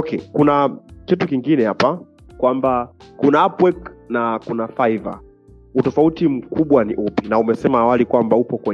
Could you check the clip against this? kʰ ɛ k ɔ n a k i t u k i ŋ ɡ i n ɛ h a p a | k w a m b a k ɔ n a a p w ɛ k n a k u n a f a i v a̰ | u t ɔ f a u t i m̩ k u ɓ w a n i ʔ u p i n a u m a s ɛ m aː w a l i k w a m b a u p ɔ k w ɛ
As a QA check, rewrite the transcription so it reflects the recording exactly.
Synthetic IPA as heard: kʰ ɛ k u n a k i t u k i ŋ ɡ i n ɛ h a p a | k w a m b a k u n a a p w ɛ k n a k u n a f a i v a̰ | u t ɔ f a u t i m̩ k u ɓ w a n i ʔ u p i n a u m ɛ s ɛ m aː w a l i k w a m b a u p ɔ k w ɛ